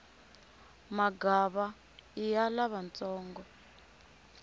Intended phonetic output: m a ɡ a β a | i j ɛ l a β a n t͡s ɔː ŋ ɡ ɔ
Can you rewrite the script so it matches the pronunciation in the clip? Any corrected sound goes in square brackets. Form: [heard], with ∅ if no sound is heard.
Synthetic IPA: m a ɡ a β a | i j [a] l a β a n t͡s ɔː ŋ ɡ ɔ